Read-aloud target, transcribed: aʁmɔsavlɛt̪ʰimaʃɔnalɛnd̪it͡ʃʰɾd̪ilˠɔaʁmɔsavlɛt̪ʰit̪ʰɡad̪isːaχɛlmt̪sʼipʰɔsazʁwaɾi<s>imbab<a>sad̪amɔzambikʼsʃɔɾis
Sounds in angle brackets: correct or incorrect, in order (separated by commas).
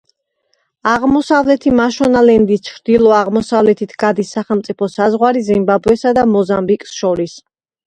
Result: incorrect, incorrect